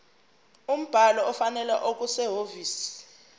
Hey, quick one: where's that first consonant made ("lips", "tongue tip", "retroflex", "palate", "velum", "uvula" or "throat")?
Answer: lips